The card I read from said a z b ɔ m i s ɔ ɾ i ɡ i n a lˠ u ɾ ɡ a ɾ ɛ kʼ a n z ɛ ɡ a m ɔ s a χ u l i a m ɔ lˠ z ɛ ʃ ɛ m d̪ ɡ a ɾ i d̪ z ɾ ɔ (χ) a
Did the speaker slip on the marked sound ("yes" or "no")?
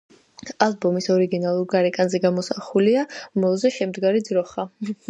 no